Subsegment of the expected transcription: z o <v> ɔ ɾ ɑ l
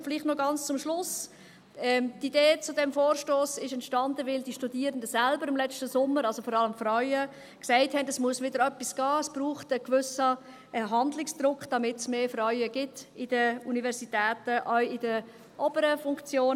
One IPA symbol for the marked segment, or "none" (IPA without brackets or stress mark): f